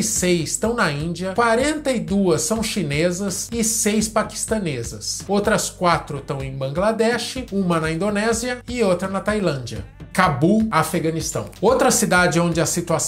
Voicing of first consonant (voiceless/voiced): voiceless